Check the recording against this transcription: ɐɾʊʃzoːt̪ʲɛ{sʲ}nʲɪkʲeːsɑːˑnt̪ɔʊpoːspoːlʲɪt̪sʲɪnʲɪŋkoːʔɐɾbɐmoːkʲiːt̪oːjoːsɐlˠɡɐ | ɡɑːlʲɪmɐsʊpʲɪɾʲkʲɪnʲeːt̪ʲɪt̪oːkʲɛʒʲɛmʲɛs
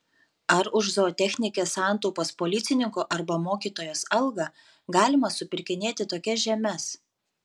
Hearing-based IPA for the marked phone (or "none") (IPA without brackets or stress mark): xʲ